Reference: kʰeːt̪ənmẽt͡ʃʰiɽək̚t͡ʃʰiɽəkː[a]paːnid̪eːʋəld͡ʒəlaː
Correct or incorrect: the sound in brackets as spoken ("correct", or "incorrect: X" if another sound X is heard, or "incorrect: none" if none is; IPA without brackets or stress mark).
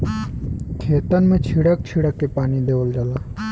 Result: incorrect: e